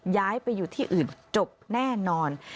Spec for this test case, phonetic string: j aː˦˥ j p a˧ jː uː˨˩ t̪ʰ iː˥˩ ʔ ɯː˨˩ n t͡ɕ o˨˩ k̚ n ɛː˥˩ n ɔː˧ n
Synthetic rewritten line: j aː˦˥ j p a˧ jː uː˨˩ t̪ʰ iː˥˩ ʔ ɯː˨˩ n t͡ɕ o˨˩ p̚ n ɛː˥˩ n ɔː˧ n